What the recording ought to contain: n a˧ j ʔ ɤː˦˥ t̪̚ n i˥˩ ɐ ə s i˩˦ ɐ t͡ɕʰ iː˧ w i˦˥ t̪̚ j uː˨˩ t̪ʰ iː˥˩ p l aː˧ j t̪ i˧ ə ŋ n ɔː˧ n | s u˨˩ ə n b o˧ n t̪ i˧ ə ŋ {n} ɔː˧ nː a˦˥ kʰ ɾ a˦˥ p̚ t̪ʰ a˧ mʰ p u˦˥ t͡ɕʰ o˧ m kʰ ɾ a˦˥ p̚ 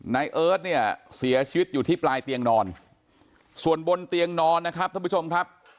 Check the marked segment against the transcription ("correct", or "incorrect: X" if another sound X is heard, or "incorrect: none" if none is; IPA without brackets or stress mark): correct